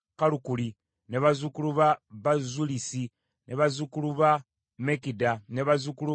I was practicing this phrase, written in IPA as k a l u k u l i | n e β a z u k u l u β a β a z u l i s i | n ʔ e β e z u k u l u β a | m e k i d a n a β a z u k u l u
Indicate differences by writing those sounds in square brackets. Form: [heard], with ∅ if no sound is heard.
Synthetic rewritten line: k a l u k u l i | n e β a z u k u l u β a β a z u l i s i | n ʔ e β [a] z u k u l u β a | m e k i d a n [e] β a z u k u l u